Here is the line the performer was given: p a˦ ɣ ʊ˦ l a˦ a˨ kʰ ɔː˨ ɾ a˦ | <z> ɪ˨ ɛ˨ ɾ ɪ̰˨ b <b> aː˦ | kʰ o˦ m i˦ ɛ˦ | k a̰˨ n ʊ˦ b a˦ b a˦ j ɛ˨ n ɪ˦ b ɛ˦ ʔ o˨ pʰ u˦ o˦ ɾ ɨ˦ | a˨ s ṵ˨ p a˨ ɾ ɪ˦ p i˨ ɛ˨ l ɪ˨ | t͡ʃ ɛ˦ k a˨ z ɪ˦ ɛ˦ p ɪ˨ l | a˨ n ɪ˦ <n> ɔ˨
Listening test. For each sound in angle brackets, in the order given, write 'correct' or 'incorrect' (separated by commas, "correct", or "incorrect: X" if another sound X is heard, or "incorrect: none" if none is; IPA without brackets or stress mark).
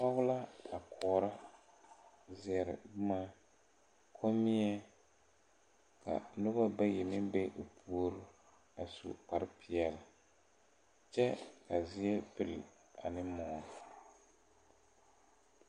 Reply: correct, incorrect: m, incorrect: m